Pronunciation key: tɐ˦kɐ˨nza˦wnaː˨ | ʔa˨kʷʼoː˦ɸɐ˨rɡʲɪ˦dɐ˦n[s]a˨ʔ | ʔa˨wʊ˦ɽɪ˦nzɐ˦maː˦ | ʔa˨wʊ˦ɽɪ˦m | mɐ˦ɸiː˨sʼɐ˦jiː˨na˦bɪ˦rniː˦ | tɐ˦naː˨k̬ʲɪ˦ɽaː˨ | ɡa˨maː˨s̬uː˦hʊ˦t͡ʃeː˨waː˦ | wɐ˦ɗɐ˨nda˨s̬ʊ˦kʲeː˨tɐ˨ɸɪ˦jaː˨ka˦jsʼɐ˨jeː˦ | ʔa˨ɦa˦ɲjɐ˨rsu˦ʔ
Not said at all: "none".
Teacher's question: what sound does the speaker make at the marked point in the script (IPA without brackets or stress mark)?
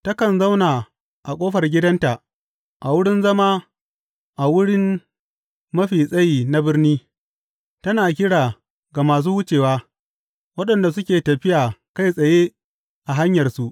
t